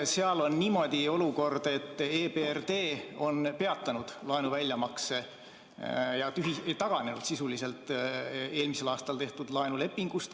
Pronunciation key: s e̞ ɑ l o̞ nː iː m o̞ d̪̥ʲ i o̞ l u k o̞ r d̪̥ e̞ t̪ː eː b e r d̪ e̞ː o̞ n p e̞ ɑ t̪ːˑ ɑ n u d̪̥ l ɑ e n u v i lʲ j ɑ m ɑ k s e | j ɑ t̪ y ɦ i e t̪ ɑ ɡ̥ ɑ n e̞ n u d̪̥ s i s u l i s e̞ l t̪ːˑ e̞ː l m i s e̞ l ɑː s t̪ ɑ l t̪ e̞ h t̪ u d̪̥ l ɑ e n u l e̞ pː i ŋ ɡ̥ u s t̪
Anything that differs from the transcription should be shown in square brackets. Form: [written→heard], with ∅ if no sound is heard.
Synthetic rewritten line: s e̞ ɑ l o̞ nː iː m o̞ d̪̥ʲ i o̞ l u k o̞ r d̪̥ e̞ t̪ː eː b e r d̪ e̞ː o̞ n p e̞ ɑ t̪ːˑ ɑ n u d̪̥ l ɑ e n u v [i→æ] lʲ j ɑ m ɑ k s e | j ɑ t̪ y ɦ i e t̪ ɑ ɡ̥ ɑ n e̞ n u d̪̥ s i s u l i s e̞ l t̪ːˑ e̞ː l m i s e̞ l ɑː s t̪ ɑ l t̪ e̞ h t̪ u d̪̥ l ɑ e n u l e̞ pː i ŋ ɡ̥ u s t̪